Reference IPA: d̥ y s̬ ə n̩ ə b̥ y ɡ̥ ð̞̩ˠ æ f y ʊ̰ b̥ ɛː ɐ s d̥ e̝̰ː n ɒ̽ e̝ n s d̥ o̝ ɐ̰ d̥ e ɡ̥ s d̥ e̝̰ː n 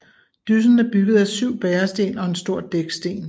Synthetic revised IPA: d̥ y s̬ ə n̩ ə b̥ y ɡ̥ ð̞̩ˠ æ s y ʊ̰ b̥ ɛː ɐ s d̥ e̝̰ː n ɒ̽ e̝ n s d̥ o̝ ɐ̰ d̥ e ɡ̥ s d̥ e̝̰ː n